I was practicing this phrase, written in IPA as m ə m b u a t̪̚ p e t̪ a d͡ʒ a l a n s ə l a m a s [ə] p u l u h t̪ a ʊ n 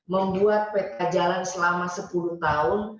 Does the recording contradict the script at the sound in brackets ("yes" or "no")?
no